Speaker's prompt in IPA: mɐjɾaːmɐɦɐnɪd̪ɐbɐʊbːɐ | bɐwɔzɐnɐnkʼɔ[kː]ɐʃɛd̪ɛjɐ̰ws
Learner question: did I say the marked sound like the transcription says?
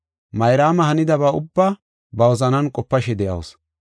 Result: no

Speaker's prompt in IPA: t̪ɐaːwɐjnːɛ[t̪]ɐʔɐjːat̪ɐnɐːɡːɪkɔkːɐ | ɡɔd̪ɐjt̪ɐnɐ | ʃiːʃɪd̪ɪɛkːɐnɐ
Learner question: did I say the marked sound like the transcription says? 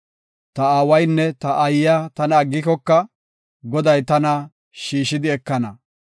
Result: yes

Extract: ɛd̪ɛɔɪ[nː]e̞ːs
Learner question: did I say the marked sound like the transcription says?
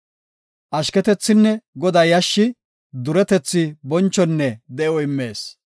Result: no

